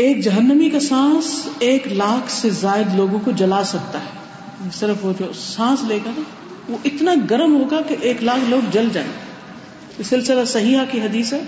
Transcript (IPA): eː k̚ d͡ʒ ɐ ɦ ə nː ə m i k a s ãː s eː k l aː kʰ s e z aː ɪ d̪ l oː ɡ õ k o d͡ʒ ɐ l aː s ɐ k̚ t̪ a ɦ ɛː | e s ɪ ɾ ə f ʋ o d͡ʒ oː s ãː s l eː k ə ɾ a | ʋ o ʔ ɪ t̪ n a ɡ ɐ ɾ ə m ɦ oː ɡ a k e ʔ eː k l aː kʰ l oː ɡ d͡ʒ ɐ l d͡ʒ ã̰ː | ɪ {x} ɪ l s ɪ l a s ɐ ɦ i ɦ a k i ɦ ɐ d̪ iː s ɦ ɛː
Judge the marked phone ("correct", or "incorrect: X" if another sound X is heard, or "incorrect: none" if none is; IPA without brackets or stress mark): incorrect: s